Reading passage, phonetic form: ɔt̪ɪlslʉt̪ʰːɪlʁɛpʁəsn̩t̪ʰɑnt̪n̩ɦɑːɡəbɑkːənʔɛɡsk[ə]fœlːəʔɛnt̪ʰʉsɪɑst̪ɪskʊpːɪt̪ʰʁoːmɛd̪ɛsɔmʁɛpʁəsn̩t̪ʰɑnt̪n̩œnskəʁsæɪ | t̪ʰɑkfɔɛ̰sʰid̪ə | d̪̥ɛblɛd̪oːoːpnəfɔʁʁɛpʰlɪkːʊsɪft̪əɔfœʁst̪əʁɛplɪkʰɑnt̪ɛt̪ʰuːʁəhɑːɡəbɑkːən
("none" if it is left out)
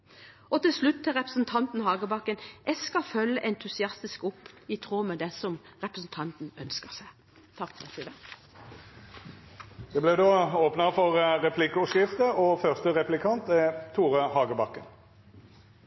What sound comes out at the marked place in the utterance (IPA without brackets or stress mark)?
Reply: ɑ